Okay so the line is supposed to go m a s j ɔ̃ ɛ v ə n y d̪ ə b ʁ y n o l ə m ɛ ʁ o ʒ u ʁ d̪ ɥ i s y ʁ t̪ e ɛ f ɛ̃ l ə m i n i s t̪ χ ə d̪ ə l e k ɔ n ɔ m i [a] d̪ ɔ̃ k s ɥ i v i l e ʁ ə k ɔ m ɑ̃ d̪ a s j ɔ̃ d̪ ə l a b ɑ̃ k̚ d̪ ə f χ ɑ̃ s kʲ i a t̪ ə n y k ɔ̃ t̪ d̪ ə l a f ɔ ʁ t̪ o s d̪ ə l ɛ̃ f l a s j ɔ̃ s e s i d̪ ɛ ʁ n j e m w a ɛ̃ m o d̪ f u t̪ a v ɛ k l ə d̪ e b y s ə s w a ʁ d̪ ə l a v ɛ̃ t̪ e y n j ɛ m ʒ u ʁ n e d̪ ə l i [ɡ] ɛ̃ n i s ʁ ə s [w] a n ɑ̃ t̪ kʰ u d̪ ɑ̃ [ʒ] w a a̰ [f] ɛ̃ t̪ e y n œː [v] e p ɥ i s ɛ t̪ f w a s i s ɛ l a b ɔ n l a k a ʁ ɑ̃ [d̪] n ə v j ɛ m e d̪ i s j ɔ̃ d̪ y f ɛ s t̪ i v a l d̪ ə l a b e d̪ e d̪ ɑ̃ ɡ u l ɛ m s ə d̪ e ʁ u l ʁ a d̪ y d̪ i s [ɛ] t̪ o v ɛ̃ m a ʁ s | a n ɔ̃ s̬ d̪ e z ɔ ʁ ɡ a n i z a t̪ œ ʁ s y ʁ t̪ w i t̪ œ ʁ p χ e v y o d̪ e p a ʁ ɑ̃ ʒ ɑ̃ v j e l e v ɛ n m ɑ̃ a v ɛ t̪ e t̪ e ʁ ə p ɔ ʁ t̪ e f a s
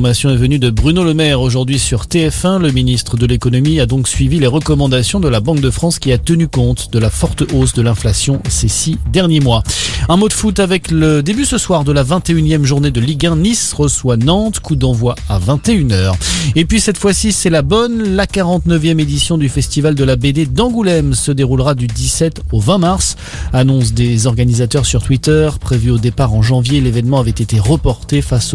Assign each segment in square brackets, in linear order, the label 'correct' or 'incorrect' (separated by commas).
correct, correct, correct, incorrect, incorrect, incorrect, incorrect, correct